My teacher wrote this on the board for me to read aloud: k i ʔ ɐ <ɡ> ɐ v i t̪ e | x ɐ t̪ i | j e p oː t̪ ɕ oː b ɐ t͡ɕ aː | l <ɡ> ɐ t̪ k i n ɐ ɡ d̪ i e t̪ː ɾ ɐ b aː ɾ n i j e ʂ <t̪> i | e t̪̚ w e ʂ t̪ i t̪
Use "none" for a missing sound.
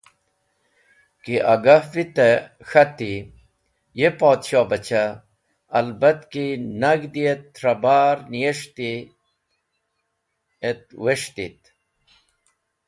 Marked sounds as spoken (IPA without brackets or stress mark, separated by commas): ɡ, b, t̪